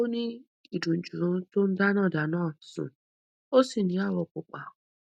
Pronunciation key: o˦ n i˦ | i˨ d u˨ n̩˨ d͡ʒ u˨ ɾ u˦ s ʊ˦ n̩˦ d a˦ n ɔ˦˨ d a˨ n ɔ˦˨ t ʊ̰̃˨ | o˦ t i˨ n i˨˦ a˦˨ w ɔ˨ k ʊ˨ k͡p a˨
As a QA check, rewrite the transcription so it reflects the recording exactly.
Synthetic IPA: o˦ n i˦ | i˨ d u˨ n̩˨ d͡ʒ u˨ ɾ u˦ t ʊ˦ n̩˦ d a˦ n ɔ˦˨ d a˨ n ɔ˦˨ s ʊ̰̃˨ | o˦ s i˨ n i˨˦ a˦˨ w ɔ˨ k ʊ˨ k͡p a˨